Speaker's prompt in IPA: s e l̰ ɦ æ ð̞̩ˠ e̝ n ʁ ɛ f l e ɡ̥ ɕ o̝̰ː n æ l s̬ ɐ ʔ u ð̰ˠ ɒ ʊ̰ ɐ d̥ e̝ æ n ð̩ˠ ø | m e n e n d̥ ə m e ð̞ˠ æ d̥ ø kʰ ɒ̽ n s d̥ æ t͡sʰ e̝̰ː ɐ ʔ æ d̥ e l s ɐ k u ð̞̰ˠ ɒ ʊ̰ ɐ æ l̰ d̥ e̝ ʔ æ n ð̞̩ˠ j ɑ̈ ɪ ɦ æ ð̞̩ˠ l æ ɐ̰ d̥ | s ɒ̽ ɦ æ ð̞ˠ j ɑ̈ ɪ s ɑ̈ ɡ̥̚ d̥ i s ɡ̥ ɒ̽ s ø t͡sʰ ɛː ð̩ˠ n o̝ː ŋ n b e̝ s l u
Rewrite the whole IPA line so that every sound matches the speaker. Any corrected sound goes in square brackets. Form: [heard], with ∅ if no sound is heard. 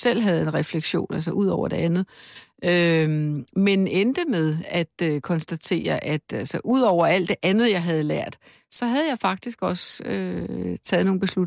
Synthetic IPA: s e l̰ ɦ æ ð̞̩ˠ e̝ n ʁ ɛ f l e ɡ̥ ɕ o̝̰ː n æ l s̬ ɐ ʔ u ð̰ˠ ɒ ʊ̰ ɐ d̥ e̝ æ n ð̩ˠ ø | m e n e n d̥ ə m e ð̞ˠ æ d̥ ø kʰ ɒ̽ n s d̥ æ t͡sʰ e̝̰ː ɐ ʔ æ d̥ [æ] l s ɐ [ʔ] u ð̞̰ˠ ɒ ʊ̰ ɐ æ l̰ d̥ e̝ ʔ æ n ð̞̩ˠ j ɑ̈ ɪ ɦ æ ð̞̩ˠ l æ ɐ̰ d̥ | s ɒ̽ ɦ æ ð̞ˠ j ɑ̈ ɪ [f] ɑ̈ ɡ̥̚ d̥ i s ɡ̥ ɒ̽ s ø t͡sʰ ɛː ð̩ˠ n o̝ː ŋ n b e̝ s l u